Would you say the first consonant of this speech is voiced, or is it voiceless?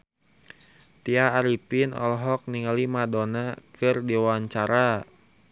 voiceless